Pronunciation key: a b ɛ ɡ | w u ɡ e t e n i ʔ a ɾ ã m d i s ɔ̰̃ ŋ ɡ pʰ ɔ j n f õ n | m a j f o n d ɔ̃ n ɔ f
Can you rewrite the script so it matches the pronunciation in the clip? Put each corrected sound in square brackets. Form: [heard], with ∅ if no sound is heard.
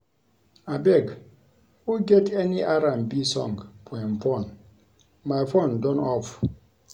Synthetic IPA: a b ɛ ɡ | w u ɡ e t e n i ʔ a ɾ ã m [b] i s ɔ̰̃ ŋ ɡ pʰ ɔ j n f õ n | m a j f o n d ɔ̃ n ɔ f